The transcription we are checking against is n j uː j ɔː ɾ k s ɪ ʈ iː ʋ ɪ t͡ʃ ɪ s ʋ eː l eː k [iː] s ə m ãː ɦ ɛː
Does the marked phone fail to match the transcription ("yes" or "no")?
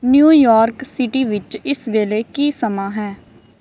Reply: no